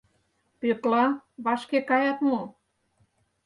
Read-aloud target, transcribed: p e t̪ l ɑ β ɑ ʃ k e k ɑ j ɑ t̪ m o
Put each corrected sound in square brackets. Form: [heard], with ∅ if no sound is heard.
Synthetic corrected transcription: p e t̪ l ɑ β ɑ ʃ k e k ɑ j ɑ t̪ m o